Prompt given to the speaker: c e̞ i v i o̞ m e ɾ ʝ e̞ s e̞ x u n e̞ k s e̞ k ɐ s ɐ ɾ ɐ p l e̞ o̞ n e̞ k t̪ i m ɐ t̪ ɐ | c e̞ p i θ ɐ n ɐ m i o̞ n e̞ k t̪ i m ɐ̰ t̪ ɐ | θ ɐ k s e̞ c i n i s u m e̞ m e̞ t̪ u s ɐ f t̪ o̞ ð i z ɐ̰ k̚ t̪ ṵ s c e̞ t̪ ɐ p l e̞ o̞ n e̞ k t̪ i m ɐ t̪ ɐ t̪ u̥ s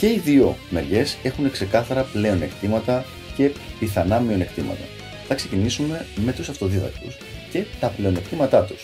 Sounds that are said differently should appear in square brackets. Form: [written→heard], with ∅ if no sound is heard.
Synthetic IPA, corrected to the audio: c e̞ i [v→ð] i o̞ m e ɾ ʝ e̞ s e̞ x u n e̞ k s e̞ k ɐ [s→θ] ɐ ɾ ɐ p l e̞ o̞ n e̞ k t̪ i m ɐ t̪ ɐ | c e̞ p i θ ɐ n ɐ m i o̞ n e̞ k t̪ i m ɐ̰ t̪ ɐ | θ ɐ k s e̞ c i n i s u m e̞ m e̞ t̪ u s ɐ f t̪ o̞ ð i [z→ð] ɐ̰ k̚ t̪ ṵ s c e̞ t̪ ɐ p l e̞ o̞ n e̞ k t̪ i m ɐ t̪ ɐ t̪ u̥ s